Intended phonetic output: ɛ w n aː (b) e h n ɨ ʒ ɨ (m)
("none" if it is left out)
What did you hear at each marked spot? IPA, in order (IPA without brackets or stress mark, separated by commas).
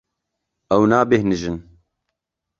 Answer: b, n